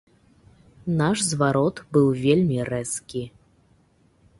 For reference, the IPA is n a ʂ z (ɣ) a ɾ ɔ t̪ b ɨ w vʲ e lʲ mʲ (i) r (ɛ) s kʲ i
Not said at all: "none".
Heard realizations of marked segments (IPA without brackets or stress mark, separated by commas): v, i, ɛ